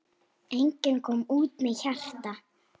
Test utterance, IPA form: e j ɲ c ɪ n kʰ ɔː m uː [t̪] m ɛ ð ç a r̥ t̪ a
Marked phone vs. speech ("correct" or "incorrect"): correct